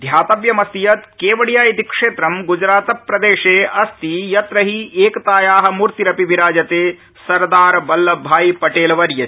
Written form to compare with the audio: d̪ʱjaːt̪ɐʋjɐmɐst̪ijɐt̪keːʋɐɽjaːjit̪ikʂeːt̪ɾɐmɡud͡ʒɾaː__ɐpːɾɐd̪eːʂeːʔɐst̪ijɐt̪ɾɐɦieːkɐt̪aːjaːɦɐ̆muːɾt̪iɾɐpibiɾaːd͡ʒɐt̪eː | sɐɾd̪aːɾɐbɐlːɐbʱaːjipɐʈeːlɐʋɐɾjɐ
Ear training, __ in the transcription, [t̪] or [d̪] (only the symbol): t̪